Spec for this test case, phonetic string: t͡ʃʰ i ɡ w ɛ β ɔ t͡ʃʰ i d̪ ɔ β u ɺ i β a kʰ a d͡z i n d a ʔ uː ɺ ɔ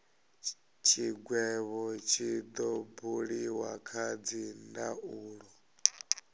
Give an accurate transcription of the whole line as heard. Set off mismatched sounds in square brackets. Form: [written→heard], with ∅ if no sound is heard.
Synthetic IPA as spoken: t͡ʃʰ i ɡ w ɛ β ɔ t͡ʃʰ i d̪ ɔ [β→b] u ɺ i [β→w] a kʰ a d͡z i n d a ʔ uː ɺ ɔ